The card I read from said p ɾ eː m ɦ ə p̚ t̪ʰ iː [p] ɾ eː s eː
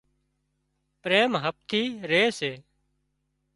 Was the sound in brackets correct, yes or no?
no